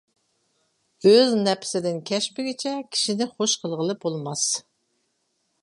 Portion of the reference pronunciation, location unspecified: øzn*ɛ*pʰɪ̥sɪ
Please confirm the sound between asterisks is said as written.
yes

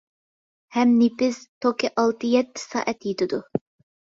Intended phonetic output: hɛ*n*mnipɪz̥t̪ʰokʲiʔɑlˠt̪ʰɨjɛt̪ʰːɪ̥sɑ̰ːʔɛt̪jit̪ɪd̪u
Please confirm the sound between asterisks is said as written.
no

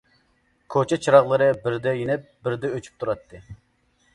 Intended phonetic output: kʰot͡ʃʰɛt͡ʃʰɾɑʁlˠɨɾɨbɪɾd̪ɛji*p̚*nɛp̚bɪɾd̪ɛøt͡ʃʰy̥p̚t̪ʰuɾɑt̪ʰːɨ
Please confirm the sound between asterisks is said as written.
no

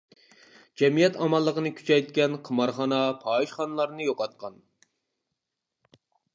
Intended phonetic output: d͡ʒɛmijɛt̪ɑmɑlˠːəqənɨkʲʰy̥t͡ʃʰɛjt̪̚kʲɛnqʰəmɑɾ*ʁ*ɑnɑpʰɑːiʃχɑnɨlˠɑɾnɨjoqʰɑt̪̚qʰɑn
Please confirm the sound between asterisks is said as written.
no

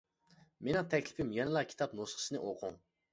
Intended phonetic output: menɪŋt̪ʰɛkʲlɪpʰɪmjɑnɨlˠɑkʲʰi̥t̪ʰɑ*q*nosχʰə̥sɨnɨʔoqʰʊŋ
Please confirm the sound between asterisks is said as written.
no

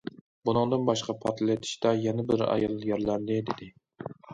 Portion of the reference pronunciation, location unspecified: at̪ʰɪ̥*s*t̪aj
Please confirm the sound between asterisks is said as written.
no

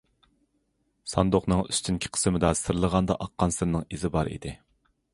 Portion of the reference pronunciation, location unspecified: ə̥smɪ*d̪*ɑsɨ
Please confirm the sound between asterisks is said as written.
yes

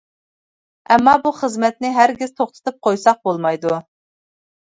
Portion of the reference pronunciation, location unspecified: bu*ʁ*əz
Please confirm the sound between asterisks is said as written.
no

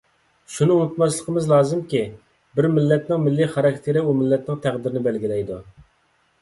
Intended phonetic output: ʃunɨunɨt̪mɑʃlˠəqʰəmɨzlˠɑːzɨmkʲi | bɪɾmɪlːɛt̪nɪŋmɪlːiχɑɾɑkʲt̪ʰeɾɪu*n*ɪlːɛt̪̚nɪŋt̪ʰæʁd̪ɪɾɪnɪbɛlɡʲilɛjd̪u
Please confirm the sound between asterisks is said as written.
no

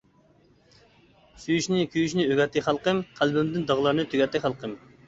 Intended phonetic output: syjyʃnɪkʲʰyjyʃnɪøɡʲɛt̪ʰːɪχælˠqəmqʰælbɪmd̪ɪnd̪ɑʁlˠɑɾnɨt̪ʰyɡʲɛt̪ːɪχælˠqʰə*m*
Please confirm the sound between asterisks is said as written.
yes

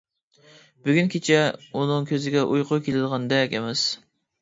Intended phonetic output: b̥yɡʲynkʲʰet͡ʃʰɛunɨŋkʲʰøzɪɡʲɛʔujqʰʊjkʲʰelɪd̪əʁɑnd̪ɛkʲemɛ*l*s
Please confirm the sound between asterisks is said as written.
no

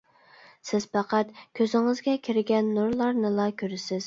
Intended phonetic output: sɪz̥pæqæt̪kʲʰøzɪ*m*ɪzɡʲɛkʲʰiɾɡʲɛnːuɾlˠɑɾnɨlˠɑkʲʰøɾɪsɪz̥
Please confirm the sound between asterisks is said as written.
no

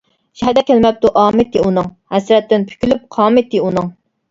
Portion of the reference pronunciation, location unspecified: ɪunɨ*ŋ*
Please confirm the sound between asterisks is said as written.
yes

